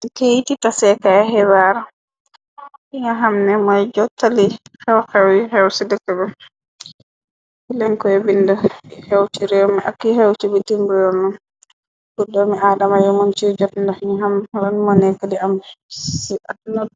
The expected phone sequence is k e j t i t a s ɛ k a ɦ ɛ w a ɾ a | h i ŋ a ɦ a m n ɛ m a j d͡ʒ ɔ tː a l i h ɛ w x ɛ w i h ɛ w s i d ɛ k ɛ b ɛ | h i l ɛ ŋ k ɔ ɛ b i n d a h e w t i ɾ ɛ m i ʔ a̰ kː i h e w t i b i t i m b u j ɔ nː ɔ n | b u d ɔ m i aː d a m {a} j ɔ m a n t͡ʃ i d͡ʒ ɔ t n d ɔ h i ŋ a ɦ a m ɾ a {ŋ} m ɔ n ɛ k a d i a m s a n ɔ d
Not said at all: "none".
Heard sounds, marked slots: a, n

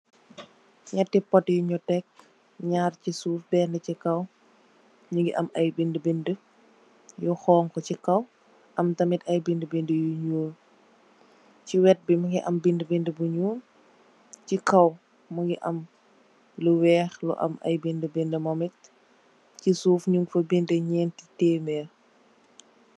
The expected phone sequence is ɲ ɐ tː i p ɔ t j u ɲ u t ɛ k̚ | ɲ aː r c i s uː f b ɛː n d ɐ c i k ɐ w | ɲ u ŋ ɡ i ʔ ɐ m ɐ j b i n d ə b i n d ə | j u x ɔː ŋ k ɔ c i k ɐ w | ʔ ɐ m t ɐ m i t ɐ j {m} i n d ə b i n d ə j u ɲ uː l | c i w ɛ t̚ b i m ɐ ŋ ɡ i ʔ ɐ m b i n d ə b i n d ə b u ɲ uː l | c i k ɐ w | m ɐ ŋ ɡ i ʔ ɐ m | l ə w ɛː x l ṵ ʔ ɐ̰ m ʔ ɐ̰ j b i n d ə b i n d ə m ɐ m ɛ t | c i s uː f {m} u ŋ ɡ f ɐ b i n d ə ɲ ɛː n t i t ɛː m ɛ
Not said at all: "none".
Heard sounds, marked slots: b, ɲ

